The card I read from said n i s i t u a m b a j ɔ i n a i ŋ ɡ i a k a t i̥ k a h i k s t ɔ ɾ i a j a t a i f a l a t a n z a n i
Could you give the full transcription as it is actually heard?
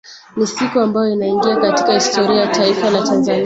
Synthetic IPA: n i s i k u a m b a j ɔ i n a i ŋ ɡ i a k a t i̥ k a h i s t ɔ ɾ i a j a t a i f a l a t a n z a n i